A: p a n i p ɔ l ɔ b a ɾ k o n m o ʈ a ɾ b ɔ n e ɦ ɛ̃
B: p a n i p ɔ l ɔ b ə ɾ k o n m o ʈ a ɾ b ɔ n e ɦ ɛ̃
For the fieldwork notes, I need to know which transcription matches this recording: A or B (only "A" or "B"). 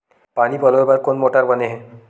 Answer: A